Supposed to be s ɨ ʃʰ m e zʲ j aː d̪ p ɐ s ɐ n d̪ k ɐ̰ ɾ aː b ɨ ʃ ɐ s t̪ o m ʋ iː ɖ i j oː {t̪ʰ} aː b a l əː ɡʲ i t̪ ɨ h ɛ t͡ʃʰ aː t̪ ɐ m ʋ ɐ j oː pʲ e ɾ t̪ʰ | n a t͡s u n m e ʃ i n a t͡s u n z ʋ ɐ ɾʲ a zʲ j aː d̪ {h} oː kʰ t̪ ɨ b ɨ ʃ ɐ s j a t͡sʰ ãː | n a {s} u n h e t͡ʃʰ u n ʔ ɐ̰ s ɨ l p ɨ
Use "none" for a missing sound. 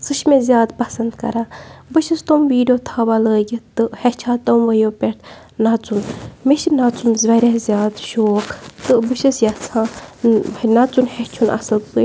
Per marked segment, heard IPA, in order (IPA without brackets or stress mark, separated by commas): t̪ʰ, ʃ, t͡s